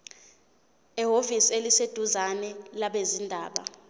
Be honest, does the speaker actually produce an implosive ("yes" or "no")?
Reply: yes